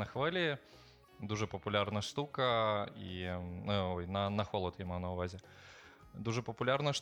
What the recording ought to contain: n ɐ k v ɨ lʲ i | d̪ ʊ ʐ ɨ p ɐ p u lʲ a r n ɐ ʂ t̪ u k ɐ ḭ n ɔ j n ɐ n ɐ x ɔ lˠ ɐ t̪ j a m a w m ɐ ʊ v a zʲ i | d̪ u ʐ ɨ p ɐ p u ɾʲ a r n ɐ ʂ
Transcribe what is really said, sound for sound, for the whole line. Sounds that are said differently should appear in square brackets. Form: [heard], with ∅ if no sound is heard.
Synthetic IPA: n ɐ [x] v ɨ lʲ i | d̪ [u] ʐ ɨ p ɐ p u lʲ a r n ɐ ʂ t̪ u k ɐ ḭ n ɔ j n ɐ n ɐ x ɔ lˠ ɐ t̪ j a m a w [n] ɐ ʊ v a zʲ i | d̪ u ʐ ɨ p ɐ p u [lʲ] a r n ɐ ʂ